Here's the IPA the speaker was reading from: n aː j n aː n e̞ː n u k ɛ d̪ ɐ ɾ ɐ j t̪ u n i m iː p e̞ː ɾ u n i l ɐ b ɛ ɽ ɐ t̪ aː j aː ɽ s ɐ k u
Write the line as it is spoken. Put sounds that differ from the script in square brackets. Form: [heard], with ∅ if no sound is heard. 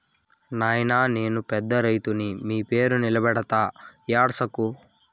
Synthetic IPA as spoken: n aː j n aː n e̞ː n u [p] ɛ [d̪ː] ɐ ɾ ɐ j t̪ u n i m iː p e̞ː ɾ u n i l ɐ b ɛ ɽ ɐ t̪ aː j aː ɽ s ɐ k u